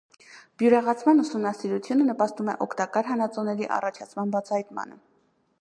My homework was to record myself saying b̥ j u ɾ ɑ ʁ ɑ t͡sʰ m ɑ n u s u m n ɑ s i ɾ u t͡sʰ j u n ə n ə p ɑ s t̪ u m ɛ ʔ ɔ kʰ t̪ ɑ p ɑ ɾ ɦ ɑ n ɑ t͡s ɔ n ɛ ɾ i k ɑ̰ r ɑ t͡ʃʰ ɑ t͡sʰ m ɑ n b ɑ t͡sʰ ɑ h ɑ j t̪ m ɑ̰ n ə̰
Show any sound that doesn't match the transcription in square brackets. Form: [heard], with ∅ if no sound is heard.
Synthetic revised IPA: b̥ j u ɾ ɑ ʁ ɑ t͡sʰ m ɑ n u s u m n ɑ s i ɾ u t͡sʰ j u n ə n ə p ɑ s t̪ u m ɛ ʔ ɔ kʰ t̪ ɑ [k] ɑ ɾ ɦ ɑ n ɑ t͡s ɔ n ɛ ɾ i [ʔ] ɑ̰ r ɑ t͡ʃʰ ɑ t͡sʰ m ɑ n b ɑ t͡sʰ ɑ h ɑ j t̪ m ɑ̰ n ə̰